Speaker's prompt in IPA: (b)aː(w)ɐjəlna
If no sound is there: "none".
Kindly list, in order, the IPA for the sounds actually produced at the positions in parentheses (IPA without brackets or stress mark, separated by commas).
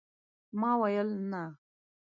m, w